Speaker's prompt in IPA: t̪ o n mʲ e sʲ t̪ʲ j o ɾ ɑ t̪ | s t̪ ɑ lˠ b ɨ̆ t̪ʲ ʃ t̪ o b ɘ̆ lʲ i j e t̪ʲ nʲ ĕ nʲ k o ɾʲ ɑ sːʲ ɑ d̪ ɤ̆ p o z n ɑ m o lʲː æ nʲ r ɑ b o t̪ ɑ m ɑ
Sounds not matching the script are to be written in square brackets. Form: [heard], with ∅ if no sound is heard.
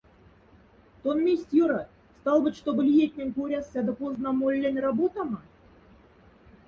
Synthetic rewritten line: t̪ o n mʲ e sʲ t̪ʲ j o ɾ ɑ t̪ | s t̪ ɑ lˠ b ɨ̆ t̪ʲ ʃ t̪ o b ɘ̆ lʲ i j e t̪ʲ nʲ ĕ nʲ k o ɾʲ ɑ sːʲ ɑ d̪ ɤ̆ p o z n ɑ m o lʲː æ nʲ r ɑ b o t̪ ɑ m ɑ